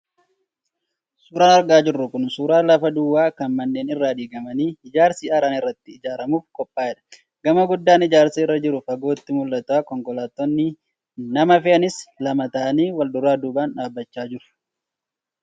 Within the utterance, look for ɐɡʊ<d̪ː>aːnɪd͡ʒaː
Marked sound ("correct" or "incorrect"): correct